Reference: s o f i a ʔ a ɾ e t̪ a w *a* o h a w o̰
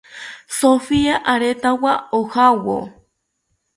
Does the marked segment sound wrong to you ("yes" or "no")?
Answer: no